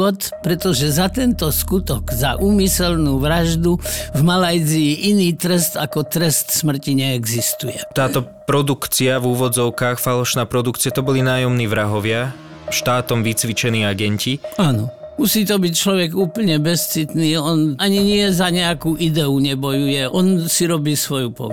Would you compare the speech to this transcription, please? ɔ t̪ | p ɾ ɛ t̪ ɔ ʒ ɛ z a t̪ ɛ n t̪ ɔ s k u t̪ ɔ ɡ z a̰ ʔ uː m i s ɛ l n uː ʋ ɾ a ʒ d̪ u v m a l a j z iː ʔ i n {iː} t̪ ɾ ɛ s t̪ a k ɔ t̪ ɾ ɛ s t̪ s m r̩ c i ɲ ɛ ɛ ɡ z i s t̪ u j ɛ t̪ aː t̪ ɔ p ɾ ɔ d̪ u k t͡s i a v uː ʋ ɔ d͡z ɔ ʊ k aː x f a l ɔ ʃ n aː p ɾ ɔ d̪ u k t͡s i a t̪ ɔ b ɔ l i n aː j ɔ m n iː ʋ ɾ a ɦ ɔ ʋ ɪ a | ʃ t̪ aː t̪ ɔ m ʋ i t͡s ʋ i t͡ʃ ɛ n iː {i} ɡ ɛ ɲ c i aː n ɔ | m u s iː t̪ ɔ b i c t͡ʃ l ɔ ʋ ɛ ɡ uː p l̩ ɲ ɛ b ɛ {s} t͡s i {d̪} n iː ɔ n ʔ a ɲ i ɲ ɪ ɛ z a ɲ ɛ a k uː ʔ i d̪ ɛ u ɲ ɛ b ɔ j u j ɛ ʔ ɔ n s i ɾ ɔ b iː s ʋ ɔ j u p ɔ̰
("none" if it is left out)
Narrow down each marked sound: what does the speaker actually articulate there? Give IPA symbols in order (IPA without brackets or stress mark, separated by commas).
iː, a, s, t̪